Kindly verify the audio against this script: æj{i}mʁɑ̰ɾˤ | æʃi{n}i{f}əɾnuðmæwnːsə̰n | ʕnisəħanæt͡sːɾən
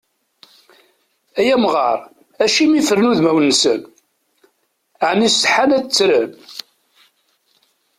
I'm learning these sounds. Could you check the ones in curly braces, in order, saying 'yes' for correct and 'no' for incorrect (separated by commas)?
no, no, yes